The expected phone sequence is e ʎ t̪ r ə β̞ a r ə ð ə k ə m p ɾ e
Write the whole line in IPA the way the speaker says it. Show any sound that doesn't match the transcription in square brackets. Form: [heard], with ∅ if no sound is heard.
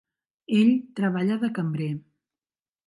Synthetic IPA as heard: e ʎ t̪ [ɾ] ə β̞ a [ʎ] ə ð ə k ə m [b] ɾ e